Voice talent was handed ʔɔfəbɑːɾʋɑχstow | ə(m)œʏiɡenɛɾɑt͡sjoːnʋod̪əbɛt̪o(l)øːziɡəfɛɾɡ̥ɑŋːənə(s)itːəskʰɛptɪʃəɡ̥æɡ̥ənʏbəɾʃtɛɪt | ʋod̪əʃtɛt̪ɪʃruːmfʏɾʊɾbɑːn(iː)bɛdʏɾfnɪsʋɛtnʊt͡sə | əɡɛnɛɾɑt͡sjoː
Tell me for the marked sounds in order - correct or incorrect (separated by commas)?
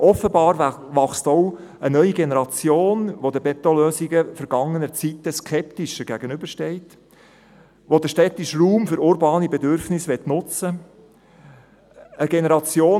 incorrect, correct, incorrect, incorrect